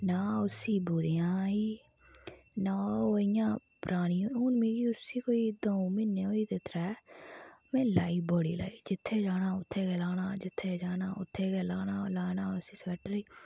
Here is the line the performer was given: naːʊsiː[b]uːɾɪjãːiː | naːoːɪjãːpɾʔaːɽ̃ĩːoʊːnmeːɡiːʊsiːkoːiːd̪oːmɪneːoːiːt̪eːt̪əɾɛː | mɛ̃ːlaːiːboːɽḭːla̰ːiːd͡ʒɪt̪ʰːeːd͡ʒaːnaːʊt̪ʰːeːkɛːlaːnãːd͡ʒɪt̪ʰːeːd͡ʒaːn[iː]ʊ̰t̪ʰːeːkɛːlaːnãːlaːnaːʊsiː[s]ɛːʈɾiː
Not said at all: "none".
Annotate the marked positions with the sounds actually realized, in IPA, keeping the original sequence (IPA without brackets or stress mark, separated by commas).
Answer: b, aː, s